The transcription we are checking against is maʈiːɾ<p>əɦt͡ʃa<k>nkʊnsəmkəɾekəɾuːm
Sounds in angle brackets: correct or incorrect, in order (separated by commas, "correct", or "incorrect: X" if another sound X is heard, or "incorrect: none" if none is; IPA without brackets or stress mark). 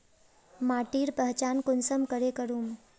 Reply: correct, incorrect: none